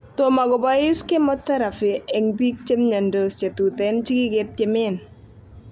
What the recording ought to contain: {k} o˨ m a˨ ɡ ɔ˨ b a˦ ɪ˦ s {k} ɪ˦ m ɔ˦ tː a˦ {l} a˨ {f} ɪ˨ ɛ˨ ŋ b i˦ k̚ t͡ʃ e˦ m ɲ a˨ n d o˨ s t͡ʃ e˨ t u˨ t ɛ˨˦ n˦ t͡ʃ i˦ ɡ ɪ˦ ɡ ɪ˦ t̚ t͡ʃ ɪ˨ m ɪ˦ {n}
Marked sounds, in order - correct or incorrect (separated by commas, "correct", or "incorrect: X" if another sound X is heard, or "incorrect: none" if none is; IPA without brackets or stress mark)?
incorrect: t, correct, incorrect: ɾ, correct, correct